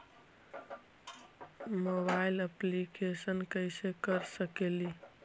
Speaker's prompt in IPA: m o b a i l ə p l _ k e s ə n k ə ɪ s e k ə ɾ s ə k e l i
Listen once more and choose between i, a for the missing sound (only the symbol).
i